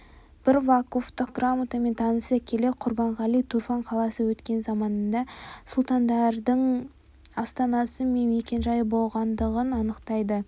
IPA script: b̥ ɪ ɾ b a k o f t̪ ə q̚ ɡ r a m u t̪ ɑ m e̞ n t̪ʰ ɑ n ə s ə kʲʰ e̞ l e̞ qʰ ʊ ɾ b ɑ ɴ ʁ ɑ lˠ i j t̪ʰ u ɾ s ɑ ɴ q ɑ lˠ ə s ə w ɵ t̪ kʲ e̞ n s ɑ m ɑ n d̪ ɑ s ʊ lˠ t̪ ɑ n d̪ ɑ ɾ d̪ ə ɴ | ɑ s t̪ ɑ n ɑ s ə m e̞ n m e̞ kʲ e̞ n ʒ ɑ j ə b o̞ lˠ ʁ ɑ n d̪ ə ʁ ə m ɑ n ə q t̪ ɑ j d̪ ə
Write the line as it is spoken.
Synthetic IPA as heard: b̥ ɪ ɾ v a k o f t̪ ə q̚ ɡ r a m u t̪ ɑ m e̞ n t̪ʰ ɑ n ə s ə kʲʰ e̞ l e̞ qʰ ʊ ɾ b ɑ ɴ ʁ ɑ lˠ i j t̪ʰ u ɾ f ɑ ɴ qʰ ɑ lˠ ɑ s ə w ɵ t̪ kʲ e̞ n z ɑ m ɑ n d̪ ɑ s ʊ lˠ t̪ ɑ n d̪ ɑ ɾ d̪ ə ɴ | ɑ s t̪ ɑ n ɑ s ə m e̞ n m e̞ kʲ e̞ n ʒ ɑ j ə b o̞ lˠ ʁ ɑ n d̪ ə ʁ ə n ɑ n ə q t̪ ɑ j d̪ ə